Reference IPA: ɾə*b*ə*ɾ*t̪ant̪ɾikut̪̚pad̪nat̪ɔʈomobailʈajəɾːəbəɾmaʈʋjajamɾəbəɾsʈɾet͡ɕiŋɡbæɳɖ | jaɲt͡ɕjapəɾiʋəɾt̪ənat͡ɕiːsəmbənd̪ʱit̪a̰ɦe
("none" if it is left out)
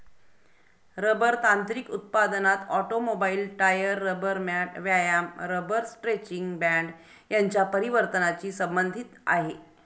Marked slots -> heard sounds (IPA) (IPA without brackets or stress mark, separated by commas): b, ɾ